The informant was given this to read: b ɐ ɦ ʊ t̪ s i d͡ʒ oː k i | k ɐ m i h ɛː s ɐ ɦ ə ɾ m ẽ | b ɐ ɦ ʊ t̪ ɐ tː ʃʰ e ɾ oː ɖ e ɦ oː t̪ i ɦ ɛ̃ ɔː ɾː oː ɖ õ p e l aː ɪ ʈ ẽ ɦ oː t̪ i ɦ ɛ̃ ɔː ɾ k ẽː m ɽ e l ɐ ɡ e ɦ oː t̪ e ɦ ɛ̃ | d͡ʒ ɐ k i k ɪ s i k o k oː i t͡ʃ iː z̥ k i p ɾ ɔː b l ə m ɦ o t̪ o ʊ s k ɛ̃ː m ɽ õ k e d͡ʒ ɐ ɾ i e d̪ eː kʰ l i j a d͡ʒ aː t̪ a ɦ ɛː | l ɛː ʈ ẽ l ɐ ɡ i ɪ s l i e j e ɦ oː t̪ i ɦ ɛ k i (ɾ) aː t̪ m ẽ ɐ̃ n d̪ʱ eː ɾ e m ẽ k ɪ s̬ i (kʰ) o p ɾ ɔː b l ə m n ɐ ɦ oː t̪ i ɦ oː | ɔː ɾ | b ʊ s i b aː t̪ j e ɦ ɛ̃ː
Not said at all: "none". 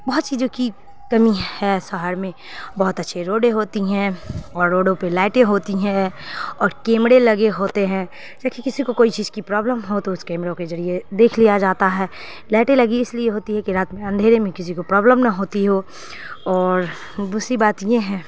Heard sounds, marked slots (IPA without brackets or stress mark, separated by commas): ɾ, k